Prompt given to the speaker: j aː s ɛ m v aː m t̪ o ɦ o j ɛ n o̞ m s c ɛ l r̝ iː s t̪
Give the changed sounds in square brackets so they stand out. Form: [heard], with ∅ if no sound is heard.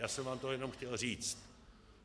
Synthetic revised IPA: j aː s ɛ m v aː m t̪ o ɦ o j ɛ n o̞ m [x] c ɛ l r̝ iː [t͡s] t̪